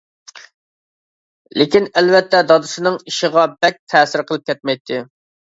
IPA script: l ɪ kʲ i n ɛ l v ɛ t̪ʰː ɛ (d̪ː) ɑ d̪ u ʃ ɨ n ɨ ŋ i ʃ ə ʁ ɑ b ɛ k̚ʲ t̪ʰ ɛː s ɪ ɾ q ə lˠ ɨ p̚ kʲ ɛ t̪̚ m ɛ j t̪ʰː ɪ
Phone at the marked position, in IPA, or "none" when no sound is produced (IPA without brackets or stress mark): d̪